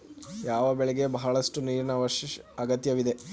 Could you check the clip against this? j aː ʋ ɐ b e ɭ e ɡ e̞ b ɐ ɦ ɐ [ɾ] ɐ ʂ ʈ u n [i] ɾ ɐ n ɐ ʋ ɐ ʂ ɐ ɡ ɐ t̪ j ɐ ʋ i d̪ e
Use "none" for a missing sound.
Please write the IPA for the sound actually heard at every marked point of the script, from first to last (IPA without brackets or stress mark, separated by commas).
ɭ, iː